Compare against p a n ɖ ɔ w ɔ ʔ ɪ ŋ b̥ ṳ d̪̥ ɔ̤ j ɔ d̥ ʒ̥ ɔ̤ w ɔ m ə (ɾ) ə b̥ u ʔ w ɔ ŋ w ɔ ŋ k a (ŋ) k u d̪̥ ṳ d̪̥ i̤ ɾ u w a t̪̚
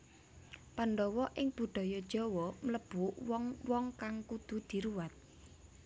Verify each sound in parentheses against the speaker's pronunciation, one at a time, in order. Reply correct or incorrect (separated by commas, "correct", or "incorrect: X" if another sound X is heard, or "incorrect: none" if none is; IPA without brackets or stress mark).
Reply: incorrect: l, correct